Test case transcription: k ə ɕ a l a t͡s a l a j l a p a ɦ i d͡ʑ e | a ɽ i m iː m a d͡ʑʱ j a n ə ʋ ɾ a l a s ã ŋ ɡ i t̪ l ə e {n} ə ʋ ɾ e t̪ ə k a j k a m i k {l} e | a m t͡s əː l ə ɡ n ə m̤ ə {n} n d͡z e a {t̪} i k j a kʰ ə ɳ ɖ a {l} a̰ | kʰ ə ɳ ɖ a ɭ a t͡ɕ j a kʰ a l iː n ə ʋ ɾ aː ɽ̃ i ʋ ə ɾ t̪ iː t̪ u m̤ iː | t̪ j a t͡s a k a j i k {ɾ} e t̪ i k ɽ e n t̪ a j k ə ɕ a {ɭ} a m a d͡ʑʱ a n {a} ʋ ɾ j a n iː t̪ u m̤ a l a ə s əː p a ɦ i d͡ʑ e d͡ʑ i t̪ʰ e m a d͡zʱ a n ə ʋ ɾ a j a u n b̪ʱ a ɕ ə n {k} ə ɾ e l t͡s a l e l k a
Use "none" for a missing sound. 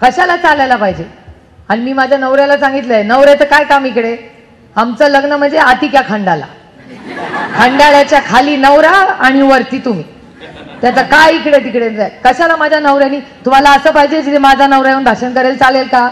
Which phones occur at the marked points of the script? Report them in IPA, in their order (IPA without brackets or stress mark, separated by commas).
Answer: n, ɽ, ɳ, t̪, l, ɽ, l, ə, k